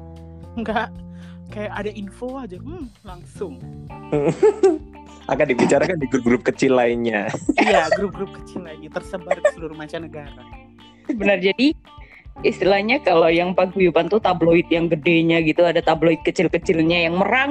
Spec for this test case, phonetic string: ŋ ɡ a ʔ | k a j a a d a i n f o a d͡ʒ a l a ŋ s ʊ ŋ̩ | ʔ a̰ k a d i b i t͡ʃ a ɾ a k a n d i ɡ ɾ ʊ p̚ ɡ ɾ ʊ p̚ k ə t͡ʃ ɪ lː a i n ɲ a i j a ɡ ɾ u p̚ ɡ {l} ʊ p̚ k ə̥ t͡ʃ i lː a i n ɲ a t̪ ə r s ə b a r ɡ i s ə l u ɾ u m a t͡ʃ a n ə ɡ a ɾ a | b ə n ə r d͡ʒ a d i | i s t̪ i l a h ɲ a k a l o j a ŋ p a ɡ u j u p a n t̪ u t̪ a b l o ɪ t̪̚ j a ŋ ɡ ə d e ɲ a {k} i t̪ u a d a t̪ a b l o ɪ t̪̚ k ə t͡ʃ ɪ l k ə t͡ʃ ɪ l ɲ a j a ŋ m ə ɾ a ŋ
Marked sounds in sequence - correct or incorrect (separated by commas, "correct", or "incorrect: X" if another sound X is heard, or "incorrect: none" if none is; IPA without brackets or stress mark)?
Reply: incorrect: ɾ, incorrect: ɡ